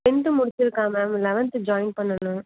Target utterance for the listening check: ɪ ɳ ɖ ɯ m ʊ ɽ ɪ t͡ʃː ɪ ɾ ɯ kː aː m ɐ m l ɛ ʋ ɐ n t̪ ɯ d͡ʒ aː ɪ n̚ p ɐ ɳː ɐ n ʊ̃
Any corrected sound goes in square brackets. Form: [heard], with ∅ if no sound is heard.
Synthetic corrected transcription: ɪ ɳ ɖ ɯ m ʊ ɽ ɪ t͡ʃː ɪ ɾ ɯ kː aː m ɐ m l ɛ ʋ ɐ n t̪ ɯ d͡ʒ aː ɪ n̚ p ɐ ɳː ɐ n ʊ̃